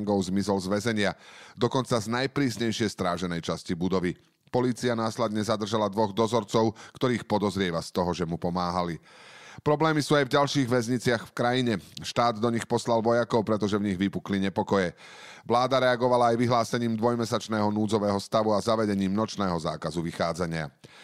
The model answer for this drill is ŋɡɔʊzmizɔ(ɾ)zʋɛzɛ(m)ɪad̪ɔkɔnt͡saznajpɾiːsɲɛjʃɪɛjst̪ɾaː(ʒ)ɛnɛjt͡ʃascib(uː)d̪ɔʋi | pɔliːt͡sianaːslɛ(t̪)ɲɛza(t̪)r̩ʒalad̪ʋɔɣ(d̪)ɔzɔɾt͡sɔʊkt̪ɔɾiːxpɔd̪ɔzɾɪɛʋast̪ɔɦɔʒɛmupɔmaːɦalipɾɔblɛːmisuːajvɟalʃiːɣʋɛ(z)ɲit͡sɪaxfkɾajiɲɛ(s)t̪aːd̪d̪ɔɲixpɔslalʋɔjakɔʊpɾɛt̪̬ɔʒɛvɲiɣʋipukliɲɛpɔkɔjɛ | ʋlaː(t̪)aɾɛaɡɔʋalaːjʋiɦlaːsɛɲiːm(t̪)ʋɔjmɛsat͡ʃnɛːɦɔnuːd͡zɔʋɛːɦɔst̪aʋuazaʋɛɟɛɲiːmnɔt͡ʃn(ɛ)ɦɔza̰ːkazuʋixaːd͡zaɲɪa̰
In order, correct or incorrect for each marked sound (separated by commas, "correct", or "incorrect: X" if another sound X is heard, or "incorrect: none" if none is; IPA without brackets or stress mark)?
incorrect: l, incorrect: ɲ, correct, incorrect: u, incorrect: d̪, incorrect: d̪, correct, correct, incorrect: ʃ, incorrect: d̪, incorrect: d̪, incorrect: ɛː